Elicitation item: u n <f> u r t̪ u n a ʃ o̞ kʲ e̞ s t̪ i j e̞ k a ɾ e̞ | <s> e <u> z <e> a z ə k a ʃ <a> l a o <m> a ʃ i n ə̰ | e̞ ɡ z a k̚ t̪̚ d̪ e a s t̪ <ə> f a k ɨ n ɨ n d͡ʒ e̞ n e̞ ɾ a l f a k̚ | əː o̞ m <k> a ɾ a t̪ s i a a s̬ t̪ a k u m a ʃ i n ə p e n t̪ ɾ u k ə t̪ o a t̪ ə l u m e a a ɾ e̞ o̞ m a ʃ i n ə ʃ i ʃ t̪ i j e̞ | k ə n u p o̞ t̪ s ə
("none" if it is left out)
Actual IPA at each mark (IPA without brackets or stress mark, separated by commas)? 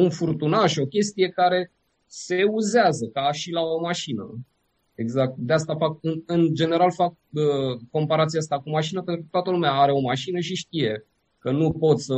f, s, u, e, i, m, a, p